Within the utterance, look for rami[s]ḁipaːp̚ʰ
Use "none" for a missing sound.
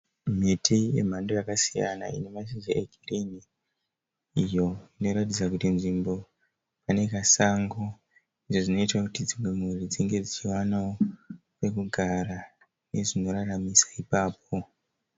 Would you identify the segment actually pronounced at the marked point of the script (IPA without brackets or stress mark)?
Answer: s